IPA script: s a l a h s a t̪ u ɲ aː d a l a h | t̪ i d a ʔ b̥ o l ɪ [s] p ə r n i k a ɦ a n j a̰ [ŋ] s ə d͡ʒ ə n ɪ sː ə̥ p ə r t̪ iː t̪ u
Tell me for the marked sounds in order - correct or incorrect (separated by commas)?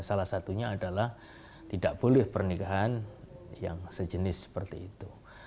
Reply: incorrect, correct